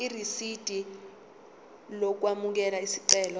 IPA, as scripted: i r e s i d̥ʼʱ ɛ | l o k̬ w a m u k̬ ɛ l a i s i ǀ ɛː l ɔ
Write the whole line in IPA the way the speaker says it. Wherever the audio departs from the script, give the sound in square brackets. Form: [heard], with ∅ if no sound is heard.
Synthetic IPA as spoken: i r [i] s i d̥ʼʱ [i] | l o k̬ w a m u k̬ ɛ l a i s i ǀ ɛː l ɔ